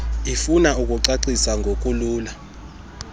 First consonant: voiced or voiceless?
voiceless